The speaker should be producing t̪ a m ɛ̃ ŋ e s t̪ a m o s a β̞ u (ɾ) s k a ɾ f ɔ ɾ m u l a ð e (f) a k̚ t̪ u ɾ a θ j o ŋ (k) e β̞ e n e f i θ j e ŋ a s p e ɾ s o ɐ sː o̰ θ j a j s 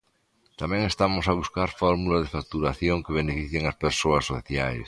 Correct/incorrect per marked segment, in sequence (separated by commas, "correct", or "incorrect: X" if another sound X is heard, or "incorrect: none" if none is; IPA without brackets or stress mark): incorrect: none, correct, correct